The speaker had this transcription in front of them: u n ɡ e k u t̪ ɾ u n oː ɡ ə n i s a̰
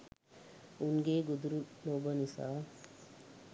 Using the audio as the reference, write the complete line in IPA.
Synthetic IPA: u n ɡ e ɡ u d̪ ɾ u n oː b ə n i s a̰